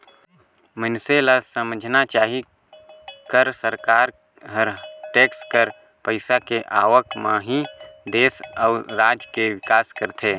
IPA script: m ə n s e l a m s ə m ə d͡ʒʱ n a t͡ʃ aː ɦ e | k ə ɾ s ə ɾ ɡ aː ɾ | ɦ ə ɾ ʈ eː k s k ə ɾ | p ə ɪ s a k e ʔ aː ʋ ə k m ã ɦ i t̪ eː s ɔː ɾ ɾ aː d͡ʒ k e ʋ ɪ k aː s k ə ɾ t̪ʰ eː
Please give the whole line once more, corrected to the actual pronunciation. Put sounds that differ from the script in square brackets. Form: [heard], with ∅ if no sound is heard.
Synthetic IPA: m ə n s e l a [∅] s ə m ə d͡ʒʱ n a t͡ʃ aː ɦ [i] | k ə ɾ s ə ɾ [k] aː ɾ | ɦ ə ɾ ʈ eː k s k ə ɾ | p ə ɪ s a k e ʔ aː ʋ ə k m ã ɦ i [d̪] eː s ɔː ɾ ɾ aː d͡ʒ k e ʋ ɪ k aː s k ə ɾ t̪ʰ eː